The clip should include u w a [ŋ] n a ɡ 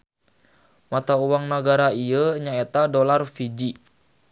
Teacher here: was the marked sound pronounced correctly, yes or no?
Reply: yes